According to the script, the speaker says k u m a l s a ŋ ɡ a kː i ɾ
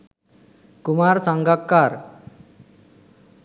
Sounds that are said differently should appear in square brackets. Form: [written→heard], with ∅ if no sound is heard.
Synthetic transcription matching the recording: k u m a [l→ɾ] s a ŋ ɡ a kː [i→a] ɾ